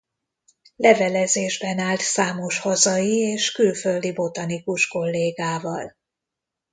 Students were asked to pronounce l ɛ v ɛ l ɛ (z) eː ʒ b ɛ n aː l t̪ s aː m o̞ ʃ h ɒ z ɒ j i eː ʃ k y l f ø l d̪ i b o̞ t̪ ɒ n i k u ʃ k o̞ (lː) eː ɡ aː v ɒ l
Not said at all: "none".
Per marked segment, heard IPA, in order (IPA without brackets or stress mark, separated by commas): z, lː